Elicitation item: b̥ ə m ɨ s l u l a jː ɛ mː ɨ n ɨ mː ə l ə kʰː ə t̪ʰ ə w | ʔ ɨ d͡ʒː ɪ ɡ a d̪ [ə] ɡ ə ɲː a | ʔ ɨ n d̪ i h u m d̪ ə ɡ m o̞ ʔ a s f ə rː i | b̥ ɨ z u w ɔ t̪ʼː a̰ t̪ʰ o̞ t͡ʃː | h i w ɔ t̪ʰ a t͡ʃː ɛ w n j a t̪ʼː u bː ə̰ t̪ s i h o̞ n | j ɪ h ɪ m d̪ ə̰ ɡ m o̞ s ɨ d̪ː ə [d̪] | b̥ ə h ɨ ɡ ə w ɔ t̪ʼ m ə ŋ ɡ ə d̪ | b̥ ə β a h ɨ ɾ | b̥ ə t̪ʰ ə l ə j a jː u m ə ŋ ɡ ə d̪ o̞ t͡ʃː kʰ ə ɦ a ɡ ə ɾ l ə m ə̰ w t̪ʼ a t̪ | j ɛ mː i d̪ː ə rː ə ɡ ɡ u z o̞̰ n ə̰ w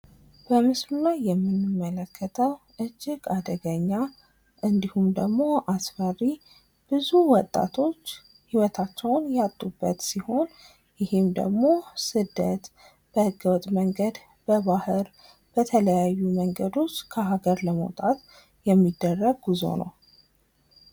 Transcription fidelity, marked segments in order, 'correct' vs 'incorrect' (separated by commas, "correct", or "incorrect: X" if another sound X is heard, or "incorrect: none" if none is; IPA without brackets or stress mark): correct, incorrect: t̪